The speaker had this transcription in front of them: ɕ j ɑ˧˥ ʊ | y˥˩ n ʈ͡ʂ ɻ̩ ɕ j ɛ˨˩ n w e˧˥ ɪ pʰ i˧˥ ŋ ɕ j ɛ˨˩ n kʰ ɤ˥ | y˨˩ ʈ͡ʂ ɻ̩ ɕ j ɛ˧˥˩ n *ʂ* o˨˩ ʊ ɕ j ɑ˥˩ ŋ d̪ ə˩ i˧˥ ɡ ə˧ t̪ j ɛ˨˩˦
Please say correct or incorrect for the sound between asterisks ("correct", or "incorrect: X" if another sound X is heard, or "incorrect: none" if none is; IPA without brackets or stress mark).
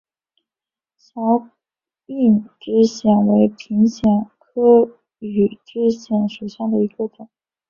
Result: correct